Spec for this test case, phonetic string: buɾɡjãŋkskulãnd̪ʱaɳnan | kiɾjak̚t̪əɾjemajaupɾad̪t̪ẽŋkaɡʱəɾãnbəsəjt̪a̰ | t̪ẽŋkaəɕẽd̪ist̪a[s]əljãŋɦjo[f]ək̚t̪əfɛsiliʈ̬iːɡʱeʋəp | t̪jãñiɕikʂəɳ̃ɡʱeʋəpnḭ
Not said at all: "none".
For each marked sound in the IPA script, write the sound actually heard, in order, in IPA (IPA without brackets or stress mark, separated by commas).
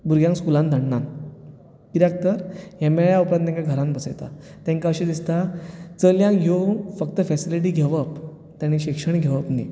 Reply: t͡s, f